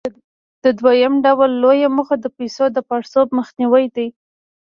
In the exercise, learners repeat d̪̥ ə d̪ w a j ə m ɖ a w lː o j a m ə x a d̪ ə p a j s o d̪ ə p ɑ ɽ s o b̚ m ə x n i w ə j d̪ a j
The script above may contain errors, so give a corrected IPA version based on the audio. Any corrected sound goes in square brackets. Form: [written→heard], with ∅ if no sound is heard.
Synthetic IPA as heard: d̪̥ ə d̪ w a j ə m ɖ a w lː o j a m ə x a d̪ ə p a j s o d̪ ə p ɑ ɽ s o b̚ m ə x n i w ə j d̪ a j